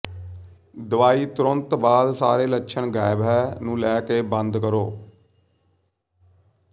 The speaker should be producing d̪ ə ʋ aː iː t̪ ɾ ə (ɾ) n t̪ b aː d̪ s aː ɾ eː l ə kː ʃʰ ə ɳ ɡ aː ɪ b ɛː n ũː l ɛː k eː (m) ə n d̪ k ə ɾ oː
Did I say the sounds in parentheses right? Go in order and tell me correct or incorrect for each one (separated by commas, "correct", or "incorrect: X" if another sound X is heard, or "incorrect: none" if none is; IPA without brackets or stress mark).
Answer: incorrect: none, incorrect: b